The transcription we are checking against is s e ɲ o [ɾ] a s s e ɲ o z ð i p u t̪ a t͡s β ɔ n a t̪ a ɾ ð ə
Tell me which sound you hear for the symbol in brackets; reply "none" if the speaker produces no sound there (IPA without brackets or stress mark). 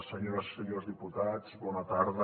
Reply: ɾ